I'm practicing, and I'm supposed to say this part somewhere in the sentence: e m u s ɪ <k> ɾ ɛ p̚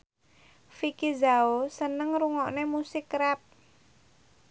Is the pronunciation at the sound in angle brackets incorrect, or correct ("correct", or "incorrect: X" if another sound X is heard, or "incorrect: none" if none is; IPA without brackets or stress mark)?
correct